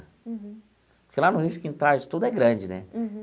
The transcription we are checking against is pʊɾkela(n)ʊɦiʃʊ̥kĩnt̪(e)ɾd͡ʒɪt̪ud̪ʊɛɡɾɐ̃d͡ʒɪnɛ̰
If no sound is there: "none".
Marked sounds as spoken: n, a

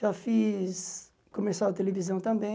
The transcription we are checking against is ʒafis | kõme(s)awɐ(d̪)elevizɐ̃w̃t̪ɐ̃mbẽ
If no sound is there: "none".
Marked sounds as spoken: s, t̪

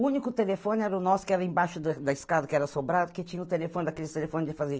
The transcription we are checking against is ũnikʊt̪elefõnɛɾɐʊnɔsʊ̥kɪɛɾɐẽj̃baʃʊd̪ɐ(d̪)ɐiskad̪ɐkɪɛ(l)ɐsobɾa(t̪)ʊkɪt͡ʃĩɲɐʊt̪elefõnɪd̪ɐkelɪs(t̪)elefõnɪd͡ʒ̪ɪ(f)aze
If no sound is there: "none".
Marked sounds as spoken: d̪, ɾ, d̪, t̪, f

